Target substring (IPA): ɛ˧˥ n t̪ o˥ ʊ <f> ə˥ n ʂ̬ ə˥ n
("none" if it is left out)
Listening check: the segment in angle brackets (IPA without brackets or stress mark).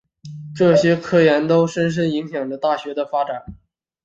ʂ